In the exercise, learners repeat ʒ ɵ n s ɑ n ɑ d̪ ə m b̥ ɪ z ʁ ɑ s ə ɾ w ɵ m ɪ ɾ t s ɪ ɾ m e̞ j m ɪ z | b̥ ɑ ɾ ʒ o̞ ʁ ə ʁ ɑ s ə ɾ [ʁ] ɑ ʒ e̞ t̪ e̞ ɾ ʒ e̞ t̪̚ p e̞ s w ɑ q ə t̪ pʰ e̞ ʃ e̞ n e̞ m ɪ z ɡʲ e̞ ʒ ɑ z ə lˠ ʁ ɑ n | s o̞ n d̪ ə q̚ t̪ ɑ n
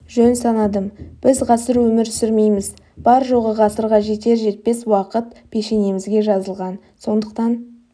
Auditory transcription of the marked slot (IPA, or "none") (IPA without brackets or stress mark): ʁ